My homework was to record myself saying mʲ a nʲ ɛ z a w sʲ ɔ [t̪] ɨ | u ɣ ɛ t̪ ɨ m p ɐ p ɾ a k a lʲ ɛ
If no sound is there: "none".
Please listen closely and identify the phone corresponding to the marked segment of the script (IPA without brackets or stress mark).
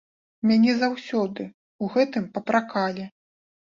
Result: d̪